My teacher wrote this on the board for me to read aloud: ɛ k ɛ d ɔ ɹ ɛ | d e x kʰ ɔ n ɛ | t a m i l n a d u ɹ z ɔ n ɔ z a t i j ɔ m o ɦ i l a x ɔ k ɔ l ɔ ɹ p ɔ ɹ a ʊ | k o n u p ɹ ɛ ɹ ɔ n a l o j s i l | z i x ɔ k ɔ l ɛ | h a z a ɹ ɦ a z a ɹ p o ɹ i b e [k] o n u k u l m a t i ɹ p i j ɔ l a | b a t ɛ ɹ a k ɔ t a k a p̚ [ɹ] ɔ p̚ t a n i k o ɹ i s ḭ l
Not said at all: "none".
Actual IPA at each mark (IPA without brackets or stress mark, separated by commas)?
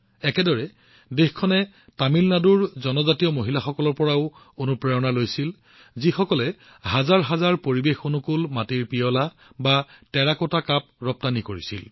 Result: x, ɹ